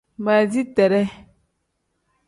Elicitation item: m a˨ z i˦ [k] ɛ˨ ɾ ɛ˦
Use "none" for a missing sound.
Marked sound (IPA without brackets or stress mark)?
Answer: t